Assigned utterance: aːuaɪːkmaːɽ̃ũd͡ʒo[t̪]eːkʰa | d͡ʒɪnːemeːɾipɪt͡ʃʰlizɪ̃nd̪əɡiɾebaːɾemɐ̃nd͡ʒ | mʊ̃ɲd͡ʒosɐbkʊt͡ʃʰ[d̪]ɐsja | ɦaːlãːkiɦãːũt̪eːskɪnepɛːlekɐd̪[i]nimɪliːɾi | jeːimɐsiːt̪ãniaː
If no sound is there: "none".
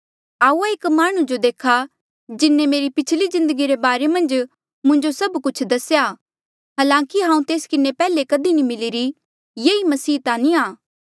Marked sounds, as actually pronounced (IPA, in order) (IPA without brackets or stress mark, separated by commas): d̪, d̪, i